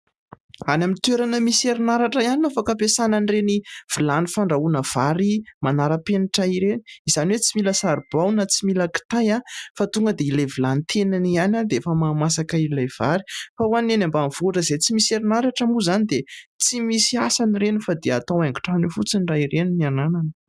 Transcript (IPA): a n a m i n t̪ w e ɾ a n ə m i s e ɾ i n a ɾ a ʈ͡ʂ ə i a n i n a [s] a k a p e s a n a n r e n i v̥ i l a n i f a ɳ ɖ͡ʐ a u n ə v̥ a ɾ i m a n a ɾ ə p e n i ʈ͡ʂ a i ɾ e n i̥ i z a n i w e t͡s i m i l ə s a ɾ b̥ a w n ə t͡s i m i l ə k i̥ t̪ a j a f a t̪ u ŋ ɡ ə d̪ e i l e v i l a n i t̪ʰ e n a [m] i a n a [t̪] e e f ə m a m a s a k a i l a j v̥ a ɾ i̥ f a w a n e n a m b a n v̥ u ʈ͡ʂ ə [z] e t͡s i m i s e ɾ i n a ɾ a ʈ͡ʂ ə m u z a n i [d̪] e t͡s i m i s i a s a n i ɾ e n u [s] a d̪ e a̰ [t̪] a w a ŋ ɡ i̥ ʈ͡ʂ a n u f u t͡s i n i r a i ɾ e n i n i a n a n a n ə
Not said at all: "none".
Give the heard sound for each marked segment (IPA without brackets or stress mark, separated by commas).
f, n, d̪, z, d̪, f, t̪